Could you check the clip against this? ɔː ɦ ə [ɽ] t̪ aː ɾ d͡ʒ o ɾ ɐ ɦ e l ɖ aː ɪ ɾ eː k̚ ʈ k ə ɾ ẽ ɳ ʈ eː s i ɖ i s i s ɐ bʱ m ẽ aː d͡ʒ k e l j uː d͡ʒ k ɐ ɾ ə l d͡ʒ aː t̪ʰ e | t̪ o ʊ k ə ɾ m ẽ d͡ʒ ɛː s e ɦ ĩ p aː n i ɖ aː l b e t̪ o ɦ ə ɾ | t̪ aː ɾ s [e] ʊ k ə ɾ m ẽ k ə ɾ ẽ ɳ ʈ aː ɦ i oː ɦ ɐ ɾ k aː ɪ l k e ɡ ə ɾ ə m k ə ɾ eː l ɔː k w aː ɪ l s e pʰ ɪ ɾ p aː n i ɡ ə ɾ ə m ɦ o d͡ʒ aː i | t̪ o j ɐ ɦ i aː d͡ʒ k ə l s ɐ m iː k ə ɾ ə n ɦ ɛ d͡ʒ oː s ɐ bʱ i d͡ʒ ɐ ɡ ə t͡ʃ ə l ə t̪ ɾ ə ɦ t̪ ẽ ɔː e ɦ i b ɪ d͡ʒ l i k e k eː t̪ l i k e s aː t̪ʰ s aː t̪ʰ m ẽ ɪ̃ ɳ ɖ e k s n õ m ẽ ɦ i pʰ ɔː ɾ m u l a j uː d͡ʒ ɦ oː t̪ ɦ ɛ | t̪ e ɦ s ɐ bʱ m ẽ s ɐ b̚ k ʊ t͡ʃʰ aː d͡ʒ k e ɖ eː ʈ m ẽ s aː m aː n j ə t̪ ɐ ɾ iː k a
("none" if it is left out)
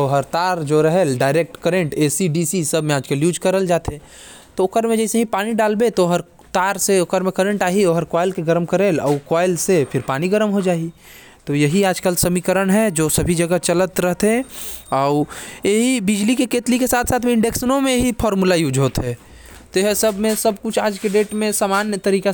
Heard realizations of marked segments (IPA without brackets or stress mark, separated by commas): ɾ, e